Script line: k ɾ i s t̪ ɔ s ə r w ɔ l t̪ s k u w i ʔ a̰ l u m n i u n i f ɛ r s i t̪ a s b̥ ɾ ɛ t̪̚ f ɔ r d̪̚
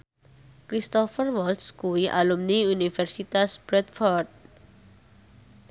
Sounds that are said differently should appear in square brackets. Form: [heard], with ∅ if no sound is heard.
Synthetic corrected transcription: k ɾ i s t̪ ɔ [f] ə r w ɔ l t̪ s k u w i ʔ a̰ l u m n i u n i f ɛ r s i t̪ a s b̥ ɾ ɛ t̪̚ f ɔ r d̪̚